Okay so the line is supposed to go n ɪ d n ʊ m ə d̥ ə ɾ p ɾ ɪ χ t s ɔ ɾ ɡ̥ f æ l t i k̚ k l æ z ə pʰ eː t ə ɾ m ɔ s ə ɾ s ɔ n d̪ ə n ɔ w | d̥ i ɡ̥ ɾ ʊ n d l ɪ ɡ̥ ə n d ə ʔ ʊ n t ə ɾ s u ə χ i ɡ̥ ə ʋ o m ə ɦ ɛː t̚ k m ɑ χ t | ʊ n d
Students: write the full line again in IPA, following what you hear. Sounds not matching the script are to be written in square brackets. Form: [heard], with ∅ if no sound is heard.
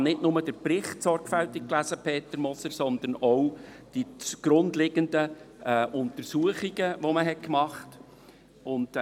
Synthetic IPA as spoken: n ɪ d n ʊ m ə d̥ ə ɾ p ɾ ɪ χ t s ɔ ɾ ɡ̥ f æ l t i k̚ k l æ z ə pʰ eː t ə ɾ m ɔ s ə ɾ s ɔ n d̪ ə n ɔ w | d̥ i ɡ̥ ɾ ʊ n d l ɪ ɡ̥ ə n d ə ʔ ʊ n t ə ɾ s u ə χ i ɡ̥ ə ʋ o m ə ɦ [ɛ] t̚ k m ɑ χ t | ʊ n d